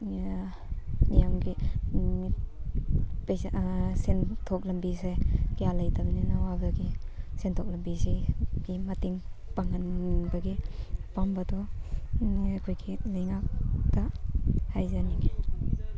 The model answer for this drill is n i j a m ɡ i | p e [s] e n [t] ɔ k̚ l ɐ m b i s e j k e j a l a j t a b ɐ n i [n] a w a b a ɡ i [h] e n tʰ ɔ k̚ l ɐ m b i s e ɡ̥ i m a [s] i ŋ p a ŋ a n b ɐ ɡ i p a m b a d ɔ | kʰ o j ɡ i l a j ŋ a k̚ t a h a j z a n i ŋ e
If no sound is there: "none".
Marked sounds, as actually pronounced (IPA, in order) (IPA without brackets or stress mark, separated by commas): s, tʰ, n, s, t